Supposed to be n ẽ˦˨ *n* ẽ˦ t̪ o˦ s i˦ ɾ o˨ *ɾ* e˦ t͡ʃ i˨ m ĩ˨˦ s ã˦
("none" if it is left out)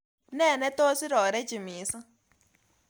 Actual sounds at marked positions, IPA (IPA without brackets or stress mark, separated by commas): n, ɾ